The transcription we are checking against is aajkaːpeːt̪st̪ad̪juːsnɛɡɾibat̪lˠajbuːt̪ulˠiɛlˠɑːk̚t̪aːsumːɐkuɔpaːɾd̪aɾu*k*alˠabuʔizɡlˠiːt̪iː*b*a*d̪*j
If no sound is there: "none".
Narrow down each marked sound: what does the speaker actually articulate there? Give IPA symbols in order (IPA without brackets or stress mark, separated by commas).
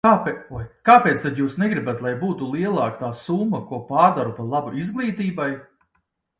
p, b, none